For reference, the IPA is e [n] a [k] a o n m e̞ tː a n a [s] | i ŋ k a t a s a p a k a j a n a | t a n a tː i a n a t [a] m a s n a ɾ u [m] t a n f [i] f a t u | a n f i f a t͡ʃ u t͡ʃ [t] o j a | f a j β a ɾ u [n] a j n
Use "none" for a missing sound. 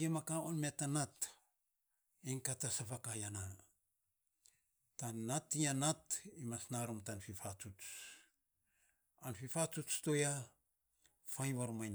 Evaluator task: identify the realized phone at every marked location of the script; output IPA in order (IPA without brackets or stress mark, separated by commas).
m, k, t, i, m, i, t, m